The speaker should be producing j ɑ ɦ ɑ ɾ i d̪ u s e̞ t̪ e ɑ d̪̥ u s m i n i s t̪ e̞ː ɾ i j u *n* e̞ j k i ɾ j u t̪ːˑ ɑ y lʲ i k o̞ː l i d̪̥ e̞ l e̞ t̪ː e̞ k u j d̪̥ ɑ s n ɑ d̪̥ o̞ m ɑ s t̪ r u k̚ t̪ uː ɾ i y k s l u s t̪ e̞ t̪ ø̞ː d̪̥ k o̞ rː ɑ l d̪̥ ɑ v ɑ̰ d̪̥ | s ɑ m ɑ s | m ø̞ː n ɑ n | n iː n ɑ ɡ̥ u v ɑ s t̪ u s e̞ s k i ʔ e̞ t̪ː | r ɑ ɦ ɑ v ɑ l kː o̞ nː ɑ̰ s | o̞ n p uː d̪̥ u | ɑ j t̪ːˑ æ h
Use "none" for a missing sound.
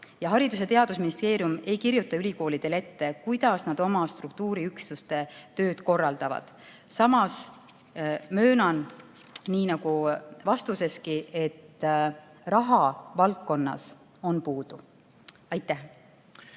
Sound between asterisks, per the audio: m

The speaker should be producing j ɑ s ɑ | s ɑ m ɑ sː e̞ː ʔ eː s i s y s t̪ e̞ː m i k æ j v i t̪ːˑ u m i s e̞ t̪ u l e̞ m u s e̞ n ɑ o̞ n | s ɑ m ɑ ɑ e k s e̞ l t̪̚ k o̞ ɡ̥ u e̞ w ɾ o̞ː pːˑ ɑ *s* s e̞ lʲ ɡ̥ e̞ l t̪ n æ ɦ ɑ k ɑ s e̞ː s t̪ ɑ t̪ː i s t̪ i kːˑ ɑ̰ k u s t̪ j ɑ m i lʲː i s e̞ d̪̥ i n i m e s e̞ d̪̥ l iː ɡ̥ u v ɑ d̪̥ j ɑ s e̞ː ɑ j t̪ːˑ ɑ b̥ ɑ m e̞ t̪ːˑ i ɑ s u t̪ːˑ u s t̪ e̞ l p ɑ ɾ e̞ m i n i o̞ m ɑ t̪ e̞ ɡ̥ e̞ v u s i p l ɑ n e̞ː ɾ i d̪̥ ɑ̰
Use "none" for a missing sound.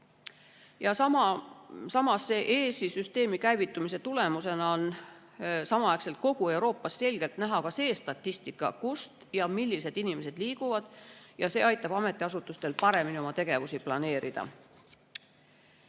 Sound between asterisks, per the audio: s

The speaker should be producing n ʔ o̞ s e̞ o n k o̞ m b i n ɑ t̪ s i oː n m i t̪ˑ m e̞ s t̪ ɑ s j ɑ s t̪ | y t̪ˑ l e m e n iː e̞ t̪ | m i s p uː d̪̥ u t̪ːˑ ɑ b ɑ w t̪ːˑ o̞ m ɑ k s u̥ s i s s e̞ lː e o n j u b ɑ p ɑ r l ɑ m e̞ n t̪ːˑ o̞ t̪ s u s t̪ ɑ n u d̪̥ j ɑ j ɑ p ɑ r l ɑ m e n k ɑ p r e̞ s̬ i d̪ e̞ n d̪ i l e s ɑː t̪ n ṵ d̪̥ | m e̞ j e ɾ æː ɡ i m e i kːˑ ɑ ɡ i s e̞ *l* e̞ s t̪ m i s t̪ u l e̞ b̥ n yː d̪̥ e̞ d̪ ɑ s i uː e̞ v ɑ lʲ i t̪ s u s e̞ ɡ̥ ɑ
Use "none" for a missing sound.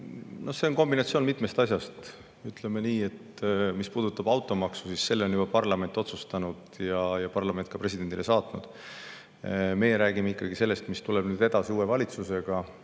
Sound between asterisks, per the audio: lː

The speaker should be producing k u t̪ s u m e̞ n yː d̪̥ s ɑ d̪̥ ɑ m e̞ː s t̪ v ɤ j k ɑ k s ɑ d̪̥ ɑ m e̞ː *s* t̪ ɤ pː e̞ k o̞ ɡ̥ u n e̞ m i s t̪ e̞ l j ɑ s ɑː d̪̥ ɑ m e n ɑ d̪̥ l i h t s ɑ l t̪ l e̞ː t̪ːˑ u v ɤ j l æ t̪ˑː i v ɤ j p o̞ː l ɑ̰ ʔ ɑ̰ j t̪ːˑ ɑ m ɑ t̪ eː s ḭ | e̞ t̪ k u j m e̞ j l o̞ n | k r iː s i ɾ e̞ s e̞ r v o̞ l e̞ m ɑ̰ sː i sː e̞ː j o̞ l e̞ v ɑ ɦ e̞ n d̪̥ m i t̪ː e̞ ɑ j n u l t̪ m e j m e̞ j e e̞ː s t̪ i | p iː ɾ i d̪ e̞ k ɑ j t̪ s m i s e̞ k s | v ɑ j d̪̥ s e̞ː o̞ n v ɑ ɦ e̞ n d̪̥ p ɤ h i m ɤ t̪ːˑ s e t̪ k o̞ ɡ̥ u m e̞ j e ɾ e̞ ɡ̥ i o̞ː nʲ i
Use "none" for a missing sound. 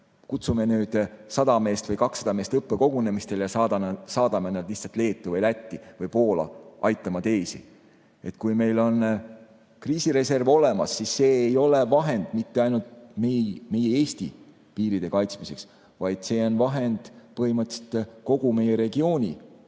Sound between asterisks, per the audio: s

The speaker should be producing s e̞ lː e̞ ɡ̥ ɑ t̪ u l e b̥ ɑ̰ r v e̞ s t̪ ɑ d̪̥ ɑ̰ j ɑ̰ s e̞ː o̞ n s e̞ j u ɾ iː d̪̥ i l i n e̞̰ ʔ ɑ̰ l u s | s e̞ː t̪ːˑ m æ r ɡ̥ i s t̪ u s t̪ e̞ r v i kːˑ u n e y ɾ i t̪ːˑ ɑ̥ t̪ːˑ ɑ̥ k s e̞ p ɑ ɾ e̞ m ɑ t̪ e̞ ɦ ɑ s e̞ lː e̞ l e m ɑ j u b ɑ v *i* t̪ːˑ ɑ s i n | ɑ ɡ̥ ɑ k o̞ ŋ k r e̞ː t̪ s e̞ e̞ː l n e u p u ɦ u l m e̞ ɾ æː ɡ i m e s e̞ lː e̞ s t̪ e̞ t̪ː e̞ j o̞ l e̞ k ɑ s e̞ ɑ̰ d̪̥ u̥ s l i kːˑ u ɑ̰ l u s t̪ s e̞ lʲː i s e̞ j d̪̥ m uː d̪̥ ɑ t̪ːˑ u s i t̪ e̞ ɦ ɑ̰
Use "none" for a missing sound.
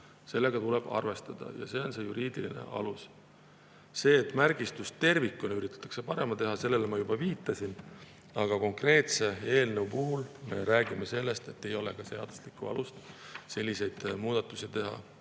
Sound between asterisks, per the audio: iː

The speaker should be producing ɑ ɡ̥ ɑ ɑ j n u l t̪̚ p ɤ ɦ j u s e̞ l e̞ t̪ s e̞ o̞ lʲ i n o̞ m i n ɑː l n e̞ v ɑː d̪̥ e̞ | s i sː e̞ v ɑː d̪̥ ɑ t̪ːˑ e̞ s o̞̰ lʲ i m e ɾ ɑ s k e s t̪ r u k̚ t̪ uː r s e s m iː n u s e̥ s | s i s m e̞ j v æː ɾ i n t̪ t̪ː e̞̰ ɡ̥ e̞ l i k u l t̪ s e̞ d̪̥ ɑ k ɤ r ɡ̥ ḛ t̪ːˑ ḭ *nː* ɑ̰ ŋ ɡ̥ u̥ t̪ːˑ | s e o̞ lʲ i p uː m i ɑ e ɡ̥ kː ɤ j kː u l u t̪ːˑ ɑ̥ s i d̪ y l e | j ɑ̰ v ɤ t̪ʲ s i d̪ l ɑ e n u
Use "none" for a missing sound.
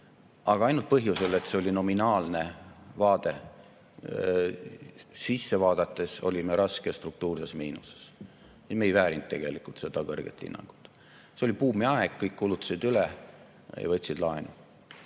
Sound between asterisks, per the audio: nː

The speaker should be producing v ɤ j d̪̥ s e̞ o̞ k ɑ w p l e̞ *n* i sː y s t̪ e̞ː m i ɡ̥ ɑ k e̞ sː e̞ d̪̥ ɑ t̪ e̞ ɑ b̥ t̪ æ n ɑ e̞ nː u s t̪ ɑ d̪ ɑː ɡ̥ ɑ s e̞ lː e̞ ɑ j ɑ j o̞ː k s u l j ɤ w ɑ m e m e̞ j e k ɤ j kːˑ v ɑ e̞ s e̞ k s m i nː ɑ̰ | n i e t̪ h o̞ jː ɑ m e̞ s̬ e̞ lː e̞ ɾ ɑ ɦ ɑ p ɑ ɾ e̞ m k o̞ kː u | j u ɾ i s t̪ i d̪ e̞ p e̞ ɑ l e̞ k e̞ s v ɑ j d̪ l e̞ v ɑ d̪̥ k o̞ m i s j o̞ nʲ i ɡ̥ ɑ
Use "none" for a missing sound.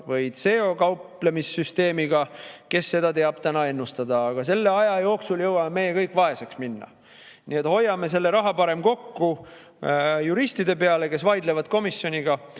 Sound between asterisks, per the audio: m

